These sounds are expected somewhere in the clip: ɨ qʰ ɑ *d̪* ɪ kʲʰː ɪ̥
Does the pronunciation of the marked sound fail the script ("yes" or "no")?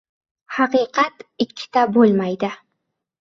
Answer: yes